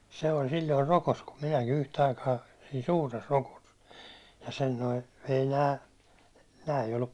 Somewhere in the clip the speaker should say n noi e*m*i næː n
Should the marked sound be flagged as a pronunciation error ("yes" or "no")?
yes